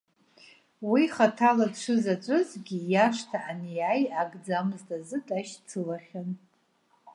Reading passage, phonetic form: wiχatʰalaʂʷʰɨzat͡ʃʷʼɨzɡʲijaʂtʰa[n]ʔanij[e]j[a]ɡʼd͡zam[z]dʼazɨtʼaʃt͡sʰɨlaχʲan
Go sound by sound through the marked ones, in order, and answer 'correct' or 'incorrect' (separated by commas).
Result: incorrect, incorrect, correct, correct